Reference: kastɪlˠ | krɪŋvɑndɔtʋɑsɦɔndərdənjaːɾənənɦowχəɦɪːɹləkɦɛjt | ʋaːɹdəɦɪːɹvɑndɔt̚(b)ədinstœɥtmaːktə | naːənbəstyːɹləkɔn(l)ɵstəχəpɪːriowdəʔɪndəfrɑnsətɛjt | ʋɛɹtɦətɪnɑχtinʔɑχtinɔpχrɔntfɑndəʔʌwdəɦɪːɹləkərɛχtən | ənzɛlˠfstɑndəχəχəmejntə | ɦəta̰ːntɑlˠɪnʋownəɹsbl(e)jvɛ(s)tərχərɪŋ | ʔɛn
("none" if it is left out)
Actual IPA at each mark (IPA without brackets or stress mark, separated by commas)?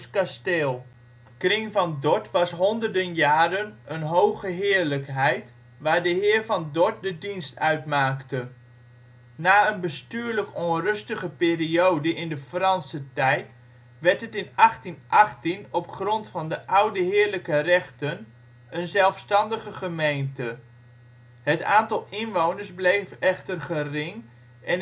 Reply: d, r, e, χ